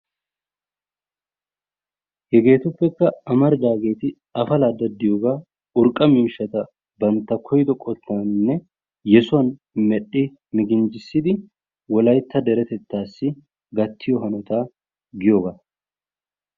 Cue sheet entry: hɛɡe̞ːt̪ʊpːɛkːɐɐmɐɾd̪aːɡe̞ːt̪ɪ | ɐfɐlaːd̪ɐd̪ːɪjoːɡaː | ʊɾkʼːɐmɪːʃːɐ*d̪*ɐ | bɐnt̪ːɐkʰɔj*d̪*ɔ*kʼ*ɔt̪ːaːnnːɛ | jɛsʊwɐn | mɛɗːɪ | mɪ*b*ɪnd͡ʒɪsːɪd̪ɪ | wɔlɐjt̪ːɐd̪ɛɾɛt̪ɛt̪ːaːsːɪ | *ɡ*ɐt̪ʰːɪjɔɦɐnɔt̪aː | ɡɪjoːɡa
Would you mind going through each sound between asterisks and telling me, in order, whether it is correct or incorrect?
incorrect: t̪, correct, correct, incorrect: ɡ, correct

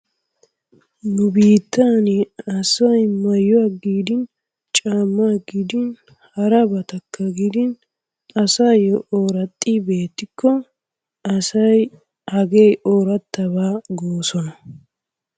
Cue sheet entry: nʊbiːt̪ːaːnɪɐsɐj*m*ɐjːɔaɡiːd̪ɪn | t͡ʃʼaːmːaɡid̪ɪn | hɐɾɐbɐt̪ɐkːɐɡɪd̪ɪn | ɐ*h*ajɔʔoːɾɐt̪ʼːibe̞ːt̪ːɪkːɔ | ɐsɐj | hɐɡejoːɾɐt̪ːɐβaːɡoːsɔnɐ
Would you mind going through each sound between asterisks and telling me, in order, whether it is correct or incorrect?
correct, incorrect: s

